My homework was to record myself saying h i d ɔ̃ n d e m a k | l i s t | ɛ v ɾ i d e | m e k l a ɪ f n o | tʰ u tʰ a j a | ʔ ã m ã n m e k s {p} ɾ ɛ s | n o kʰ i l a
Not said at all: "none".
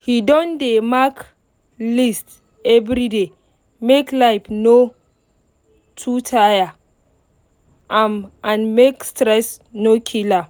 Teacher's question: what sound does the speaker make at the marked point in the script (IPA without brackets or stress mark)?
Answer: t